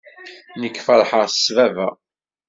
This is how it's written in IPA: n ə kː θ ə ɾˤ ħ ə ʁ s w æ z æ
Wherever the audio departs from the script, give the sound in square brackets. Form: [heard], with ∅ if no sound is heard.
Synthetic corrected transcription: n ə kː [f] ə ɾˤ ħ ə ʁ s [v] æ [v] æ

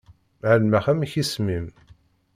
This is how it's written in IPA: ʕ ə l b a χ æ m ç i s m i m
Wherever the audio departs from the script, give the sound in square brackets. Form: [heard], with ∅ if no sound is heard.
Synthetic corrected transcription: ʕ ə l [m] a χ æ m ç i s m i m

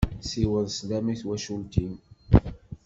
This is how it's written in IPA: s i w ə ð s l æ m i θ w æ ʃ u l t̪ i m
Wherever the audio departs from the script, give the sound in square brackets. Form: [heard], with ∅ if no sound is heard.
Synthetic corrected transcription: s i w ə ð s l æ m i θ w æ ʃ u l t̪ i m

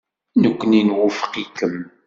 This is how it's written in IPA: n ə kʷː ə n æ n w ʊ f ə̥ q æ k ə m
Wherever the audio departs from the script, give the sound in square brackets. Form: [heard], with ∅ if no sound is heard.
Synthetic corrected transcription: n ə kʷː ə n [i] n w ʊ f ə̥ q [i] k ə m

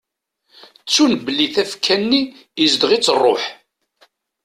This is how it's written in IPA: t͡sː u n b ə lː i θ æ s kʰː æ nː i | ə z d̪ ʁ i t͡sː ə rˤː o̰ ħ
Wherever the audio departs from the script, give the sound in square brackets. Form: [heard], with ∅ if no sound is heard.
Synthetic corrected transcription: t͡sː u n b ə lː i θ æ [f] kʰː æ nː i | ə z d̪ ʁ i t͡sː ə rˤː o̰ ħ

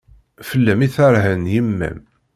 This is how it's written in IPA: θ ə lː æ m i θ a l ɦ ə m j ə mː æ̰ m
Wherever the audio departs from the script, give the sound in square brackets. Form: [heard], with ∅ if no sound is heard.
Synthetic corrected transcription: [f] ə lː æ m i θ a [ɾ] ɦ ə [n] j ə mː æ̰ m

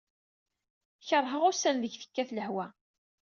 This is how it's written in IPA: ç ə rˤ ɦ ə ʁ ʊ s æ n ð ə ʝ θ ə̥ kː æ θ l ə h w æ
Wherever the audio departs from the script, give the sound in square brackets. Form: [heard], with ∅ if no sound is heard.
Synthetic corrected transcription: ç ə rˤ ɦ ə ʁ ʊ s æ n ð ə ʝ θ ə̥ kː æ θ l ə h w æ

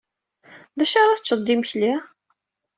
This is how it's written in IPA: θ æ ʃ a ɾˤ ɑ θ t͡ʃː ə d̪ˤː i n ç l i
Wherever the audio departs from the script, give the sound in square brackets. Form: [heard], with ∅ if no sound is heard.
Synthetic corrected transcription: [ð] æ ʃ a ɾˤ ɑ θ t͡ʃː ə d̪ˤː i [m] ç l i

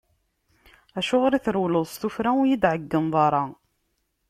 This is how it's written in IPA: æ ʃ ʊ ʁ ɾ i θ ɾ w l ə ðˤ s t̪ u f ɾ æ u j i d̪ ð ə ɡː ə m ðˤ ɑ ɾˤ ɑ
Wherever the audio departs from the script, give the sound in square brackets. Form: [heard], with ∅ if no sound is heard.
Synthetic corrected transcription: æ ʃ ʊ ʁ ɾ i θ ɾ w l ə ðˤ s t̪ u f ɾ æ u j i d̪ [ʕ] ə ɡː ə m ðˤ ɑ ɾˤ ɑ

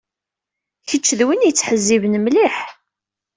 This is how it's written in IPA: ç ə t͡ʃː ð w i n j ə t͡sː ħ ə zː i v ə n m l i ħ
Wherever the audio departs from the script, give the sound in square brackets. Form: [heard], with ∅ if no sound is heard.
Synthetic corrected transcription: ç ə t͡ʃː ð w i n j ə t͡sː ħ ə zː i v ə n m l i ħ

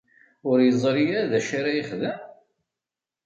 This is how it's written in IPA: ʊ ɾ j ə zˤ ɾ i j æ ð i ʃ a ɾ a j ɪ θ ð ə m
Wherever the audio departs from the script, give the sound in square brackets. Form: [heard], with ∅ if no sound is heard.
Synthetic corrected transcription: ʊ ɾ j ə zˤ ɾ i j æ ð [æ] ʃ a ɾ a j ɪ [χ] ð ə m

